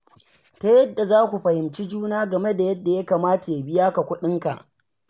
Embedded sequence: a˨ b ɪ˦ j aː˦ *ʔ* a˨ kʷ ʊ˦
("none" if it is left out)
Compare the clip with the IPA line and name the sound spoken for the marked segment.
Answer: k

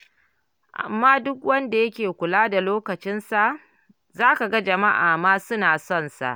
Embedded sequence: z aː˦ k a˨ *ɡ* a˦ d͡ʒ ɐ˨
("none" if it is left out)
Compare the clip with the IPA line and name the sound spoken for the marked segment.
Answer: ɡ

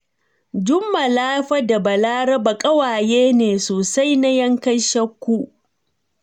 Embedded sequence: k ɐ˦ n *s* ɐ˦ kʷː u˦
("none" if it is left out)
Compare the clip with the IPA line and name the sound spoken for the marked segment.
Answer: ʃ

